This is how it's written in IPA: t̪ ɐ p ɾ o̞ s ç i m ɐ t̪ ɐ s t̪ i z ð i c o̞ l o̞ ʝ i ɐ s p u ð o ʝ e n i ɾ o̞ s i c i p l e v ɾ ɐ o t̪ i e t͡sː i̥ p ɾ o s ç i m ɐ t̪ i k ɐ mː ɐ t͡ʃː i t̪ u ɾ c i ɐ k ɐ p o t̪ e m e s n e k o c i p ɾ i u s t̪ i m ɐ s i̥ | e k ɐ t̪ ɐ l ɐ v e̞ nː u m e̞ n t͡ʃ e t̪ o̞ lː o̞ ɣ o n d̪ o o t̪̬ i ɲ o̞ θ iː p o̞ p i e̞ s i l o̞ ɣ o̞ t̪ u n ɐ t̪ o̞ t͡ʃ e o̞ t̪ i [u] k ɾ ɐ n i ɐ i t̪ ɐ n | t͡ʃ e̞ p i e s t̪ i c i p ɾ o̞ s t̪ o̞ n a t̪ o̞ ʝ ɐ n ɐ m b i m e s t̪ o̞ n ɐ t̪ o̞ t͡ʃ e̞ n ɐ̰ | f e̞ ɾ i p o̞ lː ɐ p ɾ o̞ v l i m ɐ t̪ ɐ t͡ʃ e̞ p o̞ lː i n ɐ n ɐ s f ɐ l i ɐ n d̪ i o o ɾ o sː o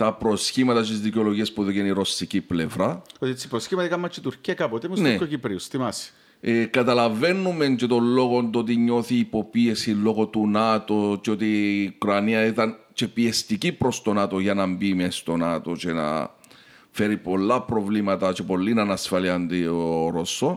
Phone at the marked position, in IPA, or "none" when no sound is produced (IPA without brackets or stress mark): u